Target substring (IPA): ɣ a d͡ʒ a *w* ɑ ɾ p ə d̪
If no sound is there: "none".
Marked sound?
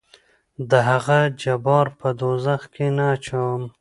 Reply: b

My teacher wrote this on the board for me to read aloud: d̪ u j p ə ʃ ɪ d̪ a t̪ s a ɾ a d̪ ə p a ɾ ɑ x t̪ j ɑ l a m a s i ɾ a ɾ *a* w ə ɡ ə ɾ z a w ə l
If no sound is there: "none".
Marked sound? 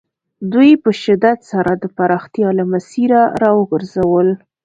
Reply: ɑ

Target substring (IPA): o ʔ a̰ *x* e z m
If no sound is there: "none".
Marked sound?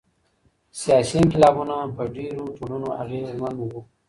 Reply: ɣ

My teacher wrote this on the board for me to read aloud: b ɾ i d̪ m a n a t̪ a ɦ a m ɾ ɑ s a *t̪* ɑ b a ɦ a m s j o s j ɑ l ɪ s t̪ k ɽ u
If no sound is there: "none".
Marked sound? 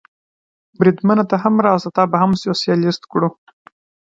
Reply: t̪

